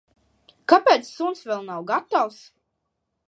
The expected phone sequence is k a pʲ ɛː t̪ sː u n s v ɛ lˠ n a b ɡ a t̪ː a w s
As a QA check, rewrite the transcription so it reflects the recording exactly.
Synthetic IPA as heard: k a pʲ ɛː t̪ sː u n s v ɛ lˠ n a w ɡ a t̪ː a w s